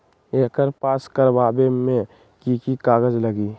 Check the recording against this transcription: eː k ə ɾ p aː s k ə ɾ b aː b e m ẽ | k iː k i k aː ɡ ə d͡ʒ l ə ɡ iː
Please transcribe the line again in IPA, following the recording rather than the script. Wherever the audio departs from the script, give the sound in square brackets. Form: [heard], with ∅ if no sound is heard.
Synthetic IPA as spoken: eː k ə ɾ p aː s k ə ɾ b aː b e m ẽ | k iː k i k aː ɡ ə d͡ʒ l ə ɡ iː